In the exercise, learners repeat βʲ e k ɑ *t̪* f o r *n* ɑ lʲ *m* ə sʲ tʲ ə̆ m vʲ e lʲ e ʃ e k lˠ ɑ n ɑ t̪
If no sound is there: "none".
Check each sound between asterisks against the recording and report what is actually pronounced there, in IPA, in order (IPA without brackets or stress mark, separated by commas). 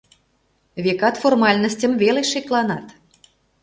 t̪, m, n